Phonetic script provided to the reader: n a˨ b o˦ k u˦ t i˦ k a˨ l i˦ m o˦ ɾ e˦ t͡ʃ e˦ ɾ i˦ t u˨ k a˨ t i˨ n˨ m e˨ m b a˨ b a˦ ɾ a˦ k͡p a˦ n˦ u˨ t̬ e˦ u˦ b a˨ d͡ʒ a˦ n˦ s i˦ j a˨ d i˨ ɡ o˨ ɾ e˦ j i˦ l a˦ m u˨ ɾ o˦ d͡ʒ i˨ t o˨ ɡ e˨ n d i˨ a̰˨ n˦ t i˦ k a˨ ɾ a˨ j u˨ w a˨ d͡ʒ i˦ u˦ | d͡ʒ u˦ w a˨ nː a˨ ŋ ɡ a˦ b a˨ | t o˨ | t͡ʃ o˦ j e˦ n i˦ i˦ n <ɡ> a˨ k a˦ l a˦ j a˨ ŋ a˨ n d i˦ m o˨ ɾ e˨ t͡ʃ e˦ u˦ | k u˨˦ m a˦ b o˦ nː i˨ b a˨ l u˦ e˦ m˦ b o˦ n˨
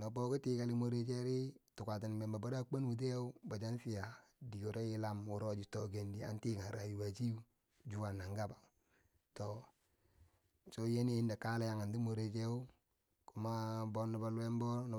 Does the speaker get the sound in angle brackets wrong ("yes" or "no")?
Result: yes